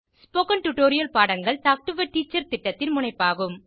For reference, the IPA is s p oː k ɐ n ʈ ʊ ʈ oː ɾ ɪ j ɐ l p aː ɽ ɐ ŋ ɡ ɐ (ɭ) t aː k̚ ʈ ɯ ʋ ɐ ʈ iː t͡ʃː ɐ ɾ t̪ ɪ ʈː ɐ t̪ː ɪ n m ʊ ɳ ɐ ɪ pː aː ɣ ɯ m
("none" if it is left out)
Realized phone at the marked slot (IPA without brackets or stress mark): ɭ